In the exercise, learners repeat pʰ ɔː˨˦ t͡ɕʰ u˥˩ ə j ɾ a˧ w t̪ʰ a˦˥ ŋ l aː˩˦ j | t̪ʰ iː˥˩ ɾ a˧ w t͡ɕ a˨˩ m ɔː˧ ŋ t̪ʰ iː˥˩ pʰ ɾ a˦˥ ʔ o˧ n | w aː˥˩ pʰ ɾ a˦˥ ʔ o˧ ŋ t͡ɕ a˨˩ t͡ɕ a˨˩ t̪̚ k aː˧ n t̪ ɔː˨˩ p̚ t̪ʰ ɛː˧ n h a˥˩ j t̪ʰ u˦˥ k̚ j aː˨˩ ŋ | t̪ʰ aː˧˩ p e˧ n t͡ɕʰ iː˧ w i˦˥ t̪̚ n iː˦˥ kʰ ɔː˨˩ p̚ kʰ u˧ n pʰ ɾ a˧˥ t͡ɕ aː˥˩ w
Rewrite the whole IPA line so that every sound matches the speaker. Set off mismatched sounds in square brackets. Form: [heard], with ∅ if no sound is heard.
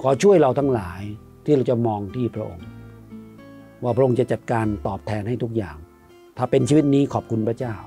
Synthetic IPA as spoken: [kʰ] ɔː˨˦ t͡ɕʰ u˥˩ ə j ɾ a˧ w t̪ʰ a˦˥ ŋ l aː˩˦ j | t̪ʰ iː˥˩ ɾ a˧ w t͡ɕ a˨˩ m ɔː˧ ŋ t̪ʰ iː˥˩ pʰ ɾ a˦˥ ʔ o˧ [ŋ] | w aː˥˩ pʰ ɾ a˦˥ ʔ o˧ ŋ t͡ɕ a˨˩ t͡ɕ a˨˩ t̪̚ k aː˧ n t̪ ɔː˨˩ p̚ t̪ʰ ɛː˧ n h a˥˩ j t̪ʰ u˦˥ k̚ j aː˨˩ ŋ | t̪ʰ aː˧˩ p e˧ n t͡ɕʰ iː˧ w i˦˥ t̪̚ n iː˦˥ kʰ ɔː˨˩ p̚ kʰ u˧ n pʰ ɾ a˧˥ t͡ɕ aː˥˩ w